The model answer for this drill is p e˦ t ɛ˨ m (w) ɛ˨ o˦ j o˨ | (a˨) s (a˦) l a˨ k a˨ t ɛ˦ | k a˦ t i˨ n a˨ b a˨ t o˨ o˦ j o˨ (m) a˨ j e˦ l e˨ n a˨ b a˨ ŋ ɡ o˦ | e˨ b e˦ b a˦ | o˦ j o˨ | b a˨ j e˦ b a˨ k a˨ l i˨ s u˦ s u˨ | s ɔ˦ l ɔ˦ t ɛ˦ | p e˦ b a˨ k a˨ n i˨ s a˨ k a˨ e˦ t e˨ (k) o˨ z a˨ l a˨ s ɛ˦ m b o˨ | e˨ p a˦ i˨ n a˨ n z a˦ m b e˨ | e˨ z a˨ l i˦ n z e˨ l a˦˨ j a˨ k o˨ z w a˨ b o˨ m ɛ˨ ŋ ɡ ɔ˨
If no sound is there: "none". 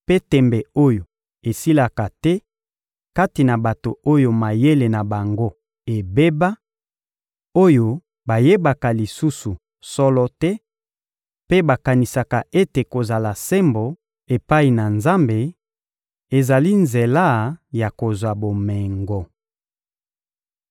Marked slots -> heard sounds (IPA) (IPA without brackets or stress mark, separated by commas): b, e˨, i˦, m, k